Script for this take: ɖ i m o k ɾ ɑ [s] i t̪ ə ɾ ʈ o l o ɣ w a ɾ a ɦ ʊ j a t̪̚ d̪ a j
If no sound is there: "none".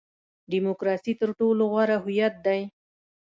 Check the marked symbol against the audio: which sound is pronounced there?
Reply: s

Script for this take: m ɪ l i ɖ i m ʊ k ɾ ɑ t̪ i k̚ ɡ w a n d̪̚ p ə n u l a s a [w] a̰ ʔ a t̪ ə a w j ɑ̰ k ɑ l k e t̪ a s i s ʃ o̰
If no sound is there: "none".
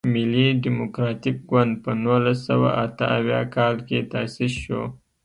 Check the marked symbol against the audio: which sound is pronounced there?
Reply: w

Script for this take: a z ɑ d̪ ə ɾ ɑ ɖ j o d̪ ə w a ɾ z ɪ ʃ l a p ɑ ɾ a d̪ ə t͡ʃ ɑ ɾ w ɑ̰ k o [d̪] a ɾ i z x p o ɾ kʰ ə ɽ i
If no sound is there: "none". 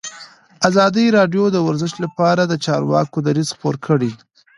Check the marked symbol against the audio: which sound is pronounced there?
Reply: d̪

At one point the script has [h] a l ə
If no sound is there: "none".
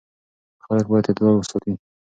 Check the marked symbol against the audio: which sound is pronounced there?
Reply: x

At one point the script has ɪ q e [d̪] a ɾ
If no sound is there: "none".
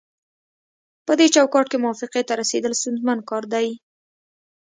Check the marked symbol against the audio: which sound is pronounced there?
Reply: t̪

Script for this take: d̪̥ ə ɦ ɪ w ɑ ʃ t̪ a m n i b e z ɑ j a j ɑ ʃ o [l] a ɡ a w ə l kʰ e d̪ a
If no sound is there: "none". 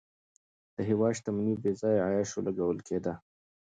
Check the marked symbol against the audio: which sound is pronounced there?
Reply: l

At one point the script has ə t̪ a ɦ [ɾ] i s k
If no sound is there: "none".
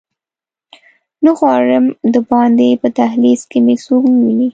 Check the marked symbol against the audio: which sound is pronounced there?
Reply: l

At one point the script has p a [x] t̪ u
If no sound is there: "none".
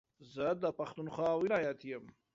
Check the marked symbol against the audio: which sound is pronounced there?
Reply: x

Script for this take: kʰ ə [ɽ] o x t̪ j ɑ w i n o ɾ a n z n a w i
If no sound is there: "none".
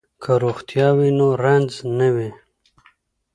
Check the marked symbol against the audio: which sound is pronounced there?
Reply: ɾ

